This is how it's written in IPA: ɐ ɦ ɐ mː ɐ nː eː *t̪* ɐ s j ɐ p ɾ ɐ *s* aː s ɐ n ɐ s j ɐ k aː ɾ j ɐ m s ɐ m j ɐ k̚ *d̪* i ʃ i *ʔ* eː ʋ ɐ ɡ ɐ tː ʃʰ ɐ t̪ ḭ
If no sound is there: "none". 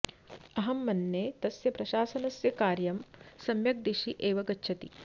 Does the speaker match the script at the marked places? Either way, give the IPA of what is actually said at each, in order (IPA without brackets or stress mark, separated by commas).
t̪, ʃ, d̪, ʔ